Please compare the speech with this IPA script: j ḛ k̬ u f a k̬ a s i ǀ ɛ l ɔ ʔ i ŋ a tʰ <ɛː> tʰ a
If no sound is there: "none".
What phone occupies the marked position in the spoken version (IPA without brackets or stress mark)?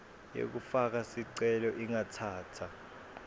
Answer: aː